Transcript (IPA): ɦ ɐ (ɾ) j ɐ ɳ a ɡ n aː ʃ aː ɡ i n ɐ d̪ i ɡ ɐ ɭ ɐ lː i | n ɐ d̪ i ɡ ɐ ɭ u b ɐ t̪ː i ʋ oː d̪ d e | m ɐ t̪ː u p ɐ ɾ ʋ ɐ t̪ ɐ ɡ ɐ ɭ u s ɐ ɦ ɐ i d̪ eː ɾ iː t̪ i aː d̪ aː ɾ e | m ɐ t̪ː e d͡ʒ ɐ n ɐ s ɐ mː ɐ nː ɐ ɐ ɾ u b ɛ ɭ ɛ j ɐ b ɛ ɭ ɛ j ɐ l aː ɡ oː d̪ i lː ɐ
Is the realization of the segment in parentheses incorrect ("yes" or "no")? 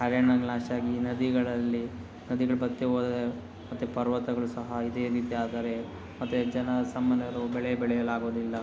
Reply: no